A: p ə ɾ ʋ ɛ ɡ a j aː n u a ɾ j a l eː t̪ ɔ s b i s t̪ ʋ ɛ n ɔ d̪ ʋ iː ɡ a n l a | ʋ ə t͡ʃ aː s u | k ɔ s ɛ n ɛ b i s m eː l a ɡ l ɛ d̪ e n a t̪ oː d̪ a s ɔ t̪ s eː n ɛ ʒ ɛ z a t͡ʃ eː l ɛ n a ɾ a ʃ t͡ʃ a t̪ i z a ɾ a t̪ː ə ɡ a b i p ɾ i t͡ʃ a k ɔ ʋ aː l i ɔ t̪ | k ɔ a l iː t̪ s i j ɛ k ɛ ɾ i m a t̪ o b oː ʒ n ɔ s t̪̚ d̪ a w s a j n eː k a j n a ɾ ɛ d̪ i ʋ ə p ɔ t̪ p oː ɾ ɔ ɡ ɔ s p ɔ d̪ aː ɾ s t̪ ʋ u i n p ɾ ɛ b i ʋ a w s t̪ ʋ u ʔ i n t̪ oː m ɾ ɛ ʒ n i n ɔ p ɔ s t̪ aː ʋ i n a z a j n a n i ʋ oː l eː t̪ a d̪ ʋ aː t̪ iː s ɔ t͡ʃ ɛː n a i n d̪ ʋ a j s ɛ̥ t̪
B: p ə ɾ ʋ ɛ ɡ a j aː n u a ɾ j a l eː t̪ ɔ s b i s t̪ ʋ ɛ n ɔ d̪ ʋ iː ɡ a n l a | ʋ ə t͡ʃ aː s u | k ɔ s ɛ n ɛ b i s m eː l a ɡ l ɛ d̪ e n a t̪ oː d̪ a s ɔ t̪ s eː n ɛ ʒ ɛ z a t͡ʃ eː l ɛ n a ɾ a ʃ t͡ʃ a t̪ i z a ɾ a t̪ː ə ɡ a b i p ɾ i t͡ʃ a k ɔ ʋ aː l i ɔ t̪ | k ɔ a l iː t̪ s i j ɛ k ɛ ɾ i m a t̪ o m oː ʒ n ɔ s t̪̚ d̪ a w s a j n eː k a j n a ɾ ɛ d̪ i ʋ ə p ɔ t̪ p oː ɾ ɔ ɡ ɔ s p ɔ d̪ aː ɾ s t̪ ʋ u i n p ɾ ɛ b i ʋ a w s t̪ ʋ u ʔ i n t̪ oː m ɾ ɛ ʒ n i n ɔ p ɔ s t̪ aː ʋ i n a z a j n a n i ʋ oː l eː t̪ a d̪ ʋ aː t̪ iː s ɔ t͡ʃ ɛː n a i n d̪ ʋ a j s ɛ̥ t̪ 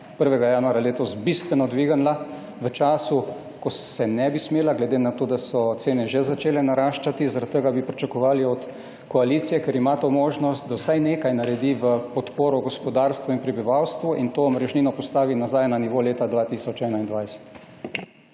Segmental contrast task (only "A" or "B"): B